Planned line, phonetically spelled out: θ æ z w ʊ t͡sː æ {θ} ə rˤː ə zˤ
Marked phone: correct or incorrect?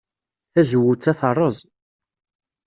correct